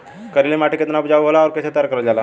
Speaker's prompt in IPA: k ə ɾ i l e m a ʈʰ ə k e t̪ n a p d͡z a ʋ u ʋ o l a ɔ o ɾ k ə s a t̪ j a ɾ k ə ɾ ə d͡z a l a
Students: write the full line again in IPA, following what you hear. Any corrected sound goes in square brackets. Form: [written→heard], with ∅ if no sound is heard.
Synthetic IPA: k ə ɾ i l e m a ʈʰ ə k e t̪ n a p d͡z a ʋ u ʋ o l a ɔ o ɾ k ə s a t̪ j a ɾ k ə ɾ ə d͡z a l a

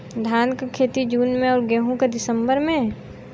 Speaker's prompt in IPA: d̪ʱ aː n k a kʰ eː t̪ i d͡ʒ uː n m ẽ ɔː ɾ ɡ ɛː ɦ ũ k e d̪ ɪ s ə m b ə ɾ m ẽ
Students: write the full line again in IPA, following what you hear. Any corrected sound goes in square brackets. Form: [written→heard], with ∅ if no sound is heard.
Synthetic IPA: d̪ʱ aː n k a kʰ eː t̪ i d͡ʒ uː n m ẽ ɔː ɾ ɡ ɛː ɦ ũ k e d̪ ɪ s ə m b ə ɾ m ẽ

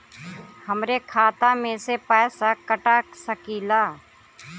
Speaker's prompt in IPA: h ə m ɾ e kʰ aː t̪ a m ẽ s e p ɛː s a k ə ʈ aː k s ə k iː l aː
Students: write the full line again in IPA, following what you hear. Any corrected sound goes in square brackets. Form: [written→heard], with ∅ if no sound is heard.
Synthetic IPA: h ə m ɾ e kʰ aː t̪ a m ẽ s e p ɛː s a k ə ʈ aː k s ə k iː l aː

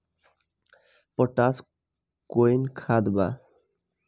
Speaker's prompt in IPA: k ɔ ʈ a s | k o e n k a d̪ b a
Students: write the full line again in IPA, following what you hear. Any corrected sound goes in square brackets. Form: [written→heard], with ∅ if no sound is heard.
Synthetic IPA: [k→p] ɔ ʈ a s | k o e n [k→kʰ] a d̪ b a

